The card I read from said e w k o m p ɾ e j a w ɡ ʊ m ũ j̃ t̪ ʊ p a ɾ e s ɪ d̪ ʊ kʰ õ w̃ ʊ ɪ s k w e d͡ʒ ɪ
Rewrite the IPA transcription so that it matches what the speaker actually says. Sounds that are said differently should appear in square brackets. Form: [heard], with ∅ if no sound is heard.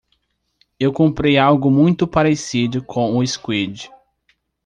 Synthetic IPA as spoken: e w k [õ] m p ɾ e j a w ɡ ʊ m ũ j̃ t̪ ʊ p a ɾ e s [i] d̪ ʊ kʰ õ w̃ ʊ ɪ s k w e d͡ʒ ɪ